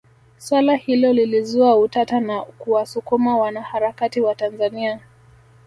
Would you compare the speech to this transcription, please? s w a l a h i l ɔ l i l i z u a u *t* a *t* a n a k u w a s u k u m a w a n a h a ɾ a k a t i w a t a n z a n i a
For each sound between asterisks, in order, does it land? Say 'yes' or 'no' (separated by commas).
yes, yes